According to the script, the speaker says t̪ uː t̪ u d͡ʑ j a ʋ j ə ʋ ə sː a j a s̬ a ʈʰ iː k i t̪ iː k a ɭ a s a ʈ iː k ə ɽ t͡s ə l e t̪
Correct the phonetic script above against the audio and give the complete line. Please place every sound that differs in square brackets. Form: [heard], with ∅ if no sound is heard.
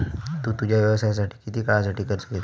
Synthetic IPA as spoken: t̪ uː t̪ u d͡ʑ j a ʋ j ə ʋ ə [s] a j a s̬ a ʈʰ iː k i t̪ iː k a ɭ a s a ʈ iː k ə [ɾ] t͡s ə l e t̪